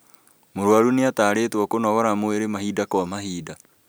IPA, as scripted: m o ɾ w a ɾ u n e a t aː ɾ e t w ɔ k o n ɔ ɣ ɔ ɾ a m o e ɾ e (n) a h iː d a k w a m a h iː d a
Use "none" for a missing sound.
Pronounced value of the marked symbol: m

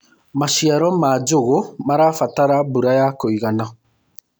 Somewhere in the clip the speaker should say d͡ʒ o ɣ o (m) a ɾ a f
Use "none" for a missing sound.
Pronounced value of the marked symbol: m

